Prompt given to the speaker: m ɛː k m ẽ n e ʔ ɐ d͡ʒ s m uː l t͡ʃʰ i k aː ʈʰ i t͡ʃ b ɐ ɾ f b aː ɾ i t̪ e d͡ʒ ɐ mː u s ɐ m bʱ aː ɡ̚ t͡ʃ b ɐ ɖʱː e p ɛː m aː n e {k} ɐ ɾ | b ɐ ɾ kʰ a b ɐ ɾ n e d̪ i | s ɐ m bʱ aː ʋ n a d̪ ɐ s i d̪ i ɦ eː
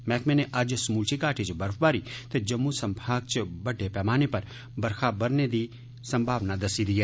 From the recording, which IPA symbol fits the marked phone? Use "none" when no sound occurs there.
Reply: p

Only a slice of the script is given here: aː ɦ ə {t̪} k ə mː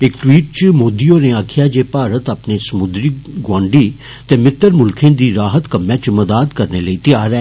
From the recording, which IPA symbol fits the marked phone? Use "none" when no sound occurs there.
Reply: t̪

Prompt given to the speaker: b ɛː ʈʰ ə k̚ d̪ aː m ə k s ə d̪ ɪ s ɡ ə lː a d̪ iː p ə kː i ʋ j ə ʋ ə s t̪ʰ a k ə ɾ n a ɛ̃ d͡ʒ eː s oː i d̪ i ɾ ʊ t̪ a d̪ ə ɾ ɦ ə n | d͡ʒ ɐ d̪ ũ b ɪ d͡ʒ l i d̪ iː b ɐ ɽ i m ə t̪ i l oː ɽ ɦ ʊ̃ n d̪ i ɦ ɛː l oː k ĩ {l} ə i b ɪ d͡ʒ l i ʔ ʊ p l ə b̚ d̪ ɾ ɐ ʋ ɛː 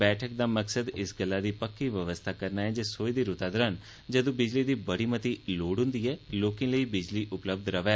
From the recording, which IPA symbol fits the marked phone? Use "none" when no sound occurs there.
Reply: l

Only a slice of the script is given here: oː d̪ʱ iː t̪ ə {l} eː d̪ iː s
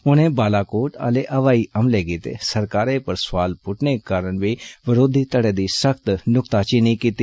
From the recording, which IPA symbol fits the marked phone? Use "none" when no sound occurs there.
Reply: ɽ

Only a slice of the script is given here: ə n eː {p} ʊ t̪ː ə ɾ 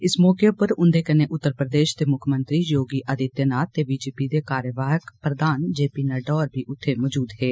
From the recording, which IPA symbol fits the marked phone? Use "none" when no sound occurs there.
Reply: ʔ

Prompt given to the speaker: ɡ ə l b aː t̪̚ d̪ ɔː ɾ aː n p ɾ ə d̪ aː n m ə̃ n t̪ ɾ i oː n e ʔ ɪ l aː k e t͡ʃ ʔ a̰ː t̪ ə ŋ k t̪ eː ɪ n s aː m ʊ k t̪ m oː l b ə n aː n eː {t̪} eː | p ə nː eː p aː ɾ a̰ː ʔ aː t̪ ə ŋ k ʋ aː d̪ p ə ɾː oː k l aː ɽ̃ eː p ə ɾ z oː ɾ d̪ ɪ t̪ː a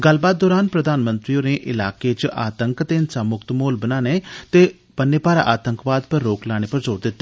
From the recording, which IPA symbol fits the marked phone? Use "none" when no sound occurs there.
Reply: t̪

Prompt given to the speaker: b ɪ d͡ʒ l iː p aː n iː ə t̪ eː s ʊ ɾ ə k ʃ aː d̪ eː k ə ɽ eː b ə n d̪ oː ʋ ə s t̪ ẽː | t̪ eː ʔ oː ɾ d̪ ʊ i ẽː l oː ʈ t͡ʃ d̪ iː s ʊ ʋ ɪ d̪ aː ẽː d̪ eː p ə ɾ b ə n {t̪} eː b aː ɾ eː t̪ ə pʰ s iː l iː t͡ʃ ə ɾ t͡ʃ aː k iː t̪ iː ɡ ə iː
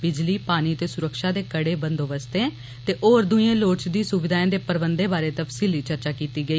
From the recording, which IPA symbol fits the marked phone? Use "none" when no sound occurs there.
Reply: d̪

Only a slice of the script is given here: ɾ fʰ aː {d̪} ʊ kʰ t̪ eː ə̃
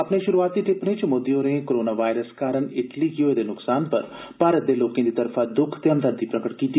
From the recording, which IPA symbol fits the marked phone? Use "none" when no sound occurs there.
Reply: d̪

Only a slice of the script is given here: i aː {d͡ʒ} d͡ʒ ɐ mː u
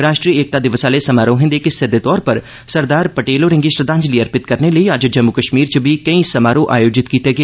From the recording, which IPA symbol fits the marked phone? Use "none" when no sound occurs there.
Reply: d͡ʒ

